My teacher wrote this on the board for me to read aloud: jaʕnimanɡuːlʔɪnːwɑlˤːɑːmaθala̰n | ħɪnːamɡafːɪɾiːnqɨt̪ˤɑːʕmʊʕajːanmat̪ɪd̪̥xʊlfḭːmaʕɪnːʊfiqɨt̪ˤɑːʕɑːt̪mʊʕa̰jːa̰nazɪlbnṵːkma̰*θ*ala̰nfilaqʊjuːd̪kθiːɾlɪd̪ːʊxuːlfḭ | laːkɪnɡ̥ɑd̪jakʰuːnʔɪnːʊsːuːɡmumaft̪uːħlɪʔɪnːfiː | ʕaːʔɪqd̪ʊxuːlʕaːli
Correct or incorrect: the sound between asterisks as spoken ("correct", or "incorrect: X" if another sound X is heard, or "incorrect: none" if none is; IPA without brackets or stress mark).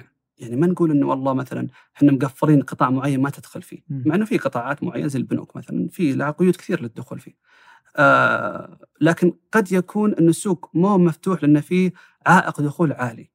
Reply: correct